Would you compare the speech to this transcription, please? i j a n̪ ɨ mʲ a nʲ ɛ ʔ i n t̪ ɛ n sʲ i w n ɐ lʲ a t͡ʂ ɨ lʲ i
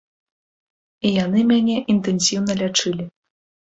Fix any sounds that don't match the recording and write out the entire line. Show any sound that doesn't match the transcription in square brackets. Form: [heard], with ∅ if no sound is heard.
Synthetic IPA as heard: i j a n̪ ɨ mʲ a nʲ ɛ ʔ i n t̪ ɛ n sʲ i w n ɐ lʲ a t͡ʂ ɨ lʲ i